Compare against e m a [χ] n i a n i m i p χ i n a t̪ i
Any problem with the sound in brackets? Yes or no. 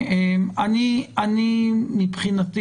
yes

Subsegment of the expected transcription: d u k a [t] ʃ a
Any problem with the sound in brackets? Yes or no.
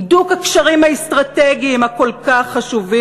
yes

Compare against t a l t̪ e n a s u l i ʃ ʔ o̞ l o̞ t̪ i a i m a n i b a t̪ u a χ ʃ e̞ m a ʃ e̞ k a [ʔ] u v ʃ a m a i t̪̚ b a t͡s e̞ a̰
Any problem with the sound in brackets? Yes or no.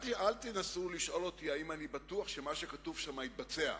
yes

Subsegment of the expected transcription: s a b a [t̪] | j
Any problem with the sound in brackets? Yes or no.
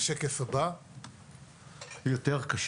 yes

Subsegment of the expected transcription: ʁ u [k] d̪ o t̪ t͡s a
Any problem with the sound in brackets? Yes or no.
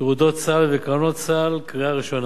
yes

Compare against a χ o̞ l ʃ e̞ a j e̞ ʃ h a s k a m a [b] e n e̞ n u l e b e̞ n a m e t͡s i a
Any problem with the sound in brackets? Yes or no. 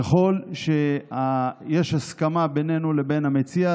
no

